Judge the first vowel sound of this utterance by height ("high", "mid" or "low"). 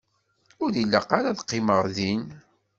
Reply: high